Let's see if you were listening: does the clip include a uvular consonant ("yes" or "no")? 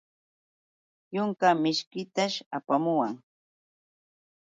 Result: no